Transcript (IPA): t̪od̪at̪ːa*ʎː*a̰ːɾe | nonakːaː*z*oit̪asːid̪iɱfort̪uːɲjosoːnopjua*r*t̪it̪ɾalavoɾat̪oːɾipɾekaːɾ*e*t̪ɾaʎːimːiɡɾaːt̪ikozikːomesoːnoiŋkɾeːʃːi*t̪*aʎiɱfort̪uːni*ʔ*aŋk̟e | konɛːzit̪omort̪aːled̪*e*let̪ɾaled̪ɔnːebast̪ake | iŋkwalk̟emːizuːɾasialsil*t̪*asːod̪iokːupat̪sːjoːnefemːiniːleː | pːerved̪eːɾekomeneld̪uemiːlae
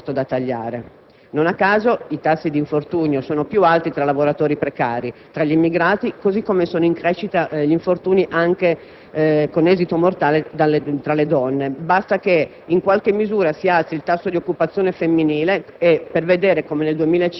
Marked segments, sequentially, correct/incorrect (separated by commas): correct, correct, incorrect, incorrect, correct, correct, incorrect, correct